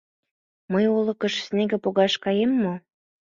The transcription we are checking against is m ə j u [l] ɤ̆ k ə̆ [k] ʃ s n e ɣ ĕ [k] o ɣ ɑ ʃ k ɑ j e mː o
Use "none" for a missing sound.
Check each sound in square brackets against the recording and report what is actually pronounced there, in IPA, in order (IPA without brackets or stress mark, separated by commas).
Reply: l, none, p